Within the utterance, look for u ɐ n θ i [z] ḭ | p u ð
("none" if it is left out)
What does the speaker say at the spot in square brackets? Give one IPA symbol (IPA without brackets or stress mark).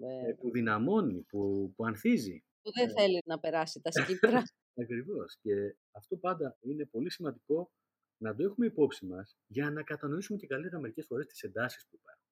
z